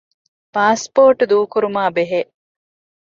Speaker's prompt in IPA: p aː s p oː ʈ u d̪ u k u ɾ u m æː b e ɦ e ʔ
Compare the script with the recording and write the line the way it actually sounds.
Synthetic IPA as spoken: p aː s p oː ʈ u d̪ uː k u ɾ u m aː b e ɦ e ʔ